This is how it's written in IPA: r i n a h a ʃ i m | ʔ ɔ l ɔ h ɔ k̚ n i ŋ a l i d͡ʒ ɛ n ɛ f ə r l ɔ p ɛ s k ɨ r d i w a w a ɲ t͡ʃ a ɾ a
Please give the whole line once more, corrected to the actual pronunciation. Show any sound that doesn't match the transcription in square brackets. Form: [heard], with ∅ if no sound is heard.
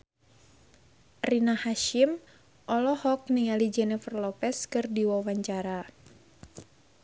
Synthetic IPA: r i n a h a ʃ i m | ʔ ɔ l ɔ h ɔ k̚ n i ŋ a l i d͡ʒ ɛ n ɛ f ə r l ɔ p ɛ s k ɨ r d i w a w a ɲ t͡ʃ a ɾ a